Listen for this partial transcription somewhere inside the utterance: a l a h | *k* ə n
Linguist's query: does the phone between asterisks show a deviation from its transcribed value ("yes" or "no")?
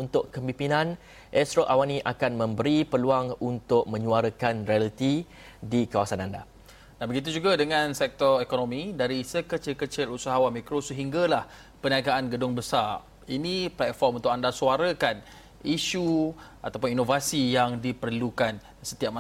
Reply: yes